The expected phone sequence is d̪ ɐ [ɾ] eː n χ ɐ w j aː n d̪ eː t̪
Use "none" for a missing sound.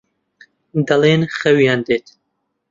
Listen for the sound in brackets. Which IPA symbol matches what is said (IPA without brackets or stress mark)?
l